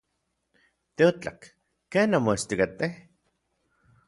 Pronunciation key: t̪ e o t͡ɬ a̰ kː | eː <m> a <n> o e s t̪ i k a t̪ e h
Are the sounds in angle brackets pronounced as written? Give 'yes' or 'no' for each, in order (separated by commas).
no, no